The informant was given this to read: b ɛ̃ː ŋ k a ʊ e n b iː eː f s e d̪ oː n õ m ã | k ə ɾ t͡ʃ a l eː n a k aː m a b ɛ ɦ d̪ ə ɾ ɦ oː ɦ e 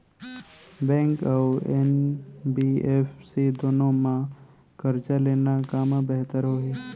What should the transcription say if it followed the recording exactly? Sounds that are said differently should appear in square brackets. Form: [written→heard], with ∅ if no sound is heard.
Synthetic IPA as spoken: b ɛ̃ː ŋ k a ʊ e n b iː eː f s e d̪ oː n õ m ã | k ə ɾ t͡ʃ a l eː n a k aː m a b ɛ ɦ [d̪→t̪] ə ɾ ɦ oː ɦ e